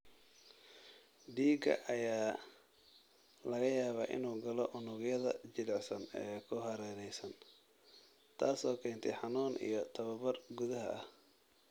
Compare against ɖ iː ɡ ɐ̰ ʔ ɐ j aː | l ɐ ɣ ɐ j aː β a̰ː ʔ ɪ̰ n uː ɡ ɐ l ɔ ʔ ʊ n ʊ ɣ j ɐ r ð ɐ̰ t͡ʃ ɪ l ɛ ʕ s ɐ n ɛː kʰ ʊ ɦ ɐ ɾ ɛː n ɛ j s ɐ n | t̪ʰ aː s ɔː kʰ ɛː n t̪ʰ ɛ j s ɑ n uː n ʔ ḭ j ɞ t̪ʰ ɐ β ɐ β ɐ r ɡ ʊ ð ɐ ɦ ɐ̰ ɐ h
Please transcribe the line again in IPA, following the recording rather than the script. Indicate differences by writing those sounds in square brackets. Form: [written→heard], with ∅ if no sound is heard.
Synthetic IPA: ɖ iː ɡ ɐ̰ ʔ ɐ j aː | l ɐ ɣ ɐ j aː β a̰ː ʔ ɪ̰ n uː ɡ ɐ l ɔ ʔ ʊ n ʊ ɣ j ɐ [r→∅] ð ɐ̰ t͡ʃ ɪ l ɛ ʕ s ɐ n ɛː kʰ ʊ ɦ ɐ ɾ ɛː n ɛ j s ɐ n | t̪ʰ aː s ɔː kʰ ɛː n t̪ʰ ɛ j [s→ħ] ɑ n uː n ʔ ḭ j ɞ t̪ʰ ɐ β ɐ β ɐ r ɡ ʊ ð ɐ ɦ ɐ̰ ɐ h